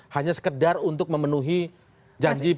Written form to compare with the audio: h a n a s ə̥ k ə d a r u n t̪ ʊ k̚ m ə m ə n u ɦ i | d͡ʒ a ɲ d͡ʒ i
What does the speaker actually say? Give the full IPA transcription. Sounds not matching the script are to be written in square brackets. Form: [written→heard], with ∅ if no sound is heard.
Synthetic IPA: h a [n→ɲ] a s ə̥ k ə d a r u n t̪ ʊ k̚ m ə m ə n u ɦ i | d͡ʒ a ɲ d͡ʒ i